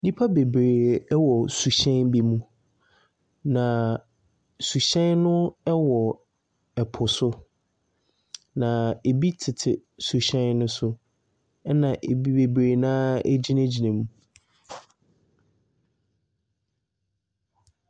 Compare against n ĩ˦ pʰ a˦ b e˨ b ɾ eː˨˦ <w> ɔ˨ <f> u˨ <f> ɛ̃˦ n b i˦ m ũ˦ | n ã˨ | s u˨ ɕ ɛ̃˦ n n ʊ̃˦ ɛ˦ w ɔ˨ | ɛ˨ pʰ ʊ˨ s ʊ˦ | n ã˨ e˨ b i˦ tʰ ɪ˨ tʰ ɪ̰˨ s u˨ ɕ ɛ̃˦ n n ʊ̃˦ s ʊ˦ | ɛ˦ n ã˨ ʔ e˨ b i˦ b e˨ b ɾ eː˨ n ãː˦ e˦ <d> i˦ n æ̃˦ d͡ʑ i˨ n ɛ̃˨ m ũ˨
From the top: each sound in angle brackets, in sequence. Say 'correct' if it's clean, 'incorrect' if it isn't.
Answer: correct, incorrect: s, incorrect: ɕ, incorrect: d͡ʑ

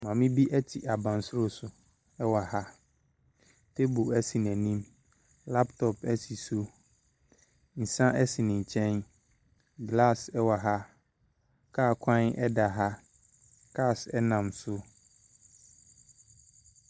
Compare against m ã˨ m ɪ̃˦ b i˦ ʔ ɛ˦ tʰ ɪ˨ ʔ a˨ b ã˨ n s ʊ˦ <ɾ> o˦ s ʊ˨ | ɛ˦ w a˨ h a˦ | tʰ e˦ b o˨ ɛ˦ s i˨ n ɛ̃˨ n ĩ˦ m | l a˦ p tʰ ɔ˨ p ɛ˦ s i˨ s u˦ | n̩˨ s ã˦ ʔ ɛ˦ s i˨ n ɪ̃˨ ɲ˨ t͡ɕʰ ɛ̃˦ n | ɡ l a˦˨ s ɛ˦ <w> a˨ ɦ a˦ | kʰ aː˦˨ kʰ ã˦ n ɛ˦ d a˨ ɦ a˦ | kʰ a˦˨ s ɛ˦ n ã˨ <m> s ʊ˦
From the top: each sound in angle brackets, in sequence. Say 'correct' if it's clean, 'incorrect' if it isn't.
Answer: correct, correct, correct

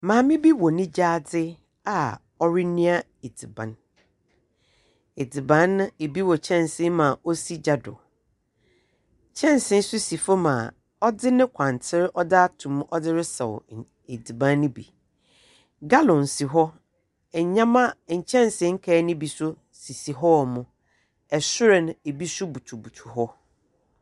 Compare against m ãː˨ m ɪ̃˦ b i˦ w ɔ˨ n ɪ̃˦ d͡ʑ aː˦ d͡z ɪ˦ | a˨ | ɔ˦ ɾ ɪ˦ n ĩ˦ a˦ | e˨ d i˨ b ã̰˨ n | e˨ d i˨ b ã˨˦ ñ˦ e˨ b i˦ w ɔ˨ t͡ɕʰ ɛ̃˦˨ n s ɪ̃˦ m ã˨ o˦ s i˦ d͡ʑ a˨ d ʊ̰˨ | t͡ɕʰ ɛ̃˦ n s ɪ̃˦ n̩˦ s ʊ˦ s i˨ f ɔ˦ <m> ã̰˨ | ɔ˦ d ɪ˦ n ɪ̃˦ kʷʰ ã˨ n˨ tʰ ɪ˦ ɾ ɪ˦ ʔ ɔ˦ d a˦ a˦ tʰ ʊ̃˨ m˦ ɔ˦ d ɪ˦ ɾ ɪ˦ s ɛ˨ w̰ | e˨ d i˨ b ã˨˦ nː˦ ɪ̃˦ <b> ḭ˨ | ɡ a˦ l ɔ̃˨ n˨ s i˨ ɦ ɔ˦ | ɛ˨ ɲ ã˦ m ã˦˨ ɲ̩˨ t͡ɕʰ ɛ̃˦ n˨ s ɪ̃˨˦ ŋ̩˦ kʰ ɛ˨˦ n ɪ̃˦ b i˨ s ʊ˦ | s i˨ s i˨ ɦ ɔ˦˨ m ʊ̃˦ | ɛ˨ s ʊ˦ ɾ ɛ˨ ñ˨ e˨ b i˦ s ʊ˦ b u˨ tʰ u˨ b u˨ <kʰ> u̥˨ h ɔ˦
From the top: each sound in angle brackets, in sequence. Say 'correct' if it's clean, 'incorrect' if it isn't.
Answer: correct, correct, incorrect: tʰ

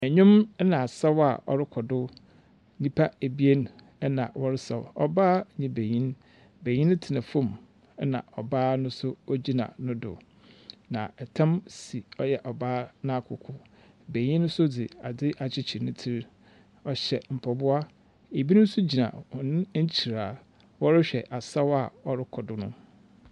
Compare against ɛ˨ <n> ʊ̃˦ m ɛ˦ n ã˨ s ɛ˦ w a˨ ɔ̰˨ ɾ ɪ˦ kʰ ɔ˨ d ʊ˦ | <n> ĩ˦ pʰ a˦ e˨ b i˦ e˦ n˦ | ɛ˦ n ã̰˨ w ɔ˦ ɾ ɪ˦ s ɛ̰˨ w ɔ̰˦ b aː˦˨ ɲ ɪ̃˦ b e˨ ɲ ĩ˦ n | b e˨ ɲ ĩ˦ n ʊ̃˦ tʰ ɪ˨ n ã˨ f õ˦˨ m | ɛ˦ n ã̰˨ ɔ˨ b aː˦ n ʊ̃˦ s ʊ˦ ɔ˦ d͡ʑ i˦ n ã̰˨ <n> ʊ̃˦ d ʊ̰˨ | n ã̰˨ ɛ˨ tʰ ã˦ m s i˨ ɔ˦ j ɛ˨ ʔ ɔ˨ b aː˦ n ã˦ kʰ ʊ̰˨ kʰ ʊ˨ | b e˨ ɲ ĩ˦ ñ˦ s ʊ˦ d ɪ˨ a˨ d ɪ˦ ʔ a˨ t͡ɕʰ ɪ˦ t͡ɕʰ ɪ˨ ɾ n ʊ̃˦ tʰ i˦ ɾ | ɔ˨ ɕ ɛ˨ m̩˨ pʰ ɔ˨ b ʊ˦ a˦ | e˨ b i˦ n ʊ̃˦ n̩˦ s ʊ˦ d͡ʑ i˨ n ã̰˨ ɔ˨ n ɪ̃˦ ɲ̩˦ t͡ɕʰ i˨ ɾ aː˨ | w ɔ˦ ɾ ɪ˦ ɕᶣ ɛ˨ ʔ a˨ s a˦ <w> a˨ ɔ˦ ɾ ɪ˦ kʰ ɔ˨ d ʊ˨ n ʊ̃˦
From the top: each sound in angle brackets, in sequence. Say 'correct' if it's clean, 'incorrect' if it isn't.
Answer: incorrect: ɲ, correct, correct, correct

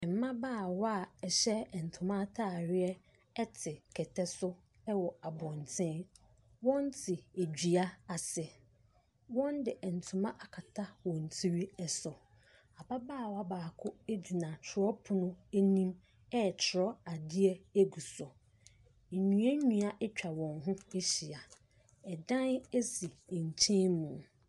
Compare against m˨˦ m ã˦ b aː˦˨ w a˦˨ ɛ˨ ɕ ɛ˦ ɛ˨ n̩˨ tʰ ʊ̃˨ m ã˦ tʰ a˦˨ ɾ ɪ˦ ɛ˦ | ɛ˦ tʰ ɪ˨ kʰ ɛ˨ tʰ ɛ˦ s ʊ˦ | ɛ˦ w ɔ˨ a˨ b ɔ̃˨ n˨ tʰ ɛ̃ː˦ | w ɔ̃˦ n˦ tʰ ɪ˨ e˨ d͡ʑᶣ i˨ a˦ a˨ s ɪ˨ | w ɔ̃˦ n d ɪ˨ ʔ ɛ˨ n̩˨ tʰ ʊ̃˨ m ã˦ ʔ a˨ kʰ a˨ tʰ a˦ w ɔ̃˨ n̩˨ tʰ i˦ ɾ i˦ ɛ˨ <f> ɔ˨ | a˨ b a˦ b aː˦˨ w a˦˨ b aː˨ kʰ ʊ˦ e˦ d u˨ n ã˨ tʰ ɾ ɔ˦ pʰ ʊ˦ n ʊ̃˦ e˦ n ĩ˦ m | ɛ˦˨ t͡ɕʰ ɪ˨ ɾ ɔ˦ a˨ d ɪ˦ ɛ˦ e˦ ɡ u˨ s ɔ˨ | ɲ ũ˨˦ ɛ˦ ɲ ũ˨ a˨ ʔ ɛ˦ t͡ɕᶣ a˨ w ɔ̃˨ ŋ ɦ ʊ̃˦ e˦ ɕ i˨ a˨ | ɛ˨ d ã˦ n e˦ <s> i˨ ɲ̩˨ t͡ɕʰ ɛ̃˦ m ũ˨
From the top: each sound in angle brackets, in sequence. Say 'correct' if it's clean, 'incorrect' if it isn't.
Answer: incorrect: s, correct

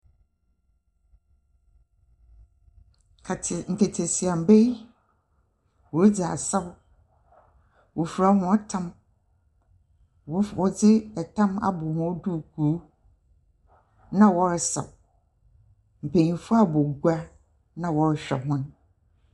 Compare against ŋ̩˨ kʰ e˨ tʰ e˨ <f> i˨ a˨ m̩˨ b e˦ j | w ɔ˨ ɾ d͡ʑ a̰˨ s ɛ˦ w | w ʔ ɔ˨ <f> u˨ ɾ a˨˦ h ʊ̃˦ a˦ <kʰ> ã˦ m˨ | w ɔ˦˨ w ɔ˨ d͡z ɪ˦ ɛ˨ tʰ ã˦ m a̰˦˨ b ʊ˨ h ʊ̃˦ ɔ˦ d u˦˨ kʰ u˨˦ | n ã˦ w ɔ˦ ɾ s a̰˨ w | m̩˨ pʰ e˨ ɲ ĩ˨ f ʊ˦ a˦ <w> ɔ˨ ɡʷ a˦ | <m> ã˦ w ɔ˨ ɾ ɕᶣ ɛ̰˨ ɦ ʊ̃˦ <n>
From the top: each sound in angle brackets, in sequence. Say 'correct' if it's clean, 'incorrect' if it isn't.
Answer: incorrect: s, correct, incorrect: tʰ, incorrect: b, incorrect: n, correct

